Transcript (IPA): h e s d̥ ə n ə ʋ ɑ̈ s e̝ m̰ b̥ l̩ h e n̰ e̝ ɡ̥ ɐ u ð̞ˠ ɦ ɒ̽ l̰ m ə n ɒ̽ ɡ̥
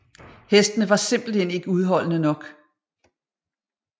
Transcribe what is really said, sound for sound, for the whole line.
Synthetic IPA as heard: h e s d̥ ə n ə ʋ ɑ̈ s e̝ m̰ b̥ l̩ h e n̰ e̝ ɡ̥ ə u ð̞ˠ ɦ ɒ̽ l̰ n ə n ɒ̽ ɡ̥